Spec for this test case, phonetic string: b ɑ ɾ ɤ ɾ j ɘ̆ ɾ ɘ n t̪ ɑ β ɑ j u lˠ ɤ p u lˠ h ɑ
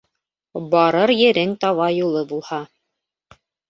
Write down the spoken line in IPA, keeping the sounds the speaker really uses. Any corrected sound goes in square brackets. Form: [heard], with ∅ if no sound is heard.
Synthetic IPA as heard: b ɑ ɾ ɤ ɾ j ɘ̆ ɾ ɘ [ŋ] t̪ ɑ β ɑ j u lˠ ɤ [b] u lˠ h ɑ